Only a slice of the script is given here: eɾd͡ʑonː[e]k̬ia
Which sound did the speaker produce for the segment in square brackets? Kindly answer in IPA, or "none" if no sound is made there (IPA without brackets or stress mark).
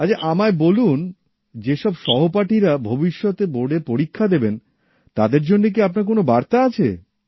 e